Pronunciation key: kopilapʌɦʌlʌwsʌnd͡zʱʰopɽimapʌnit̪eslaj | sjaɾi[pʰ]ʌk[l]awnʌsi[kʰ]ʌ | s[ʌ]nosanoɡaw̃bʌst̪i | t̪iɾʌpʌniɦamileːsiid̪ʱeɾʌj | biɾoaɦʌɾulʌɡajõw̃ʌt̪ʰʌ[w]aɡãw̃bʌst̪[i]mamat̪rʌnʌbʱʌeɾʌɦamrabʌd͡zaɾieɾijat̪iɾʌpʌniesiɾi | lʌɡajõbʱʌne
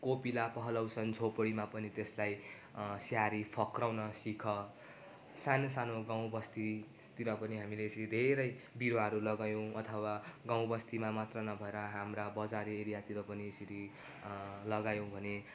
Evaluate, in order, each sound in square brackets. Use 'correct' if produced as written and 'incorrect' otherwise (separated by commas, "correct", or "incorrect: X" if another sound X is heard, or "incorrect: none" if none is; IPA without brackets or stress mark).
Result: correct, incorrect: r, correct, incorrect: a, correct, correct